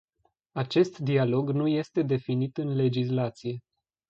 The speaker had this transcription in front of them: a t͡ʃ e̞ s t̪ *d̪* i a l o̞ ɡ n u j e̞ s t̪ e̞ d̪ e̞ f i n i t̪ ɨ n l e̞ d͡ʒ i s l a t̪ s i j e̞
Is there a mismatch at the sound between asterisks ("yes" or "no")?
no